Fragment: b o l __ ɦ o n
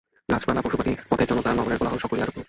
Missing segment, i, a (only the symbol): a